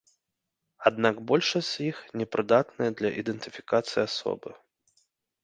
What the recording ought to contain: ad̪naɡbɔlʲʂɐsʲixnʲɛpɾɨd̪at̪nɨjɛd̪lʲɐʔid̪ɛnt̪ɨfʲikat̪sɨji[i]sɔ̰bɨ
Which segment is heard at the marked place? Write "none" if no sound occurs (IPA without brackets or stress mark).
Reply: a